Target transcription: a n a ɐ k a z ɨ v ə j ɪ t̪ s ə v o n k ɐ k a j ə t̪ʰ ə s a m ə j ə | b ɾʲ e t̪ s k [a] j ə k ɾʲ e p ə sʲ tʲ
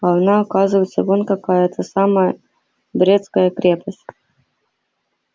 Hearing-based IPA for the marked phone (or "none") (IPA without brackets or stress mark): ə